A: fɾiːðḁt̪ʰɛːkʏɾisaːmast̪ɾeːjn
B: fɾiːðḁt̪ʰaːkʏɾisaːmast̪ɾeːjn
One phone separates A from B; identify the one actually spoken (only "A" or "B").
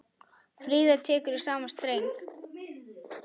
A